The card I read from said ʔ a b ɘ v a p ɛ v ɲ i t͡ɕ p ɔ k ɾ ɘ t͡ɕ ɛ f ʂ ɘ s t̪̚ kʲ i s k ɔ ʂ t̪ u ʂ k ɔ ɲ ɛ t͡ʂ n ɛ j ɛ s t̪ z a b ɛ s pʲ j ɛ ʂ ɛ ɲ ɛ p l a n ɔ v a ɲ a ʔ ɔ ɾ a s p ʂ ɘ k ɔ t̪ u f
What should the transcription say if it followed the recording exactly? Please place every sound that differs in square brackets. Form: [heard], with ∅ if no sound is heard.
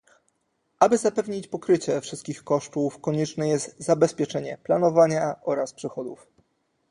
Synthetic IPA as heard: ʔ a b ɘ [z] a p ɛ v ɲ i t͡ɕ p ɔ k ɾ ɘ t͡ɕ ɛ f ʂ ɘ s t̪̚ kʲ i [x] k ɔ ʂ t̪ u [f] k ɔ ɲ ɛ t͡ʂ n ɛ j ɛ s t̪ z a b ɛ s pʲ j ɛ [t͡ʂ] ɛ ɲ ɛ p l a n ɔ v a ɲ a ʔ ɔ ɾ a s p ʂ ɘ [x] ɔ [d̪] u f